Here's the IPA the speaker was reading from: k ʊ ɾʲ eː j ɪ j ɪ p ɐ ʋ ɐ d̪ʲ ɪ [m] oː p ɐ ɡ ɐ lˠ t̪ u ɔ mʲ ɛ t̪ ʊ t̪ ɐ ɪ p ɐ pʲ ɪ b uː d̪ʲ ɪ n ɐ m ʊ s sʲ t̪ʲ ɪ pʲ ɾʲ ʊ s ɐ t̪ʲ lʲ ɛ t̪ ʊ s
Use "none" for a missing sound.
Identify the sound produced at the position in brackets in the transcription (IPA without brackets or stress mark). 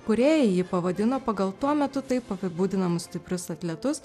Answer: n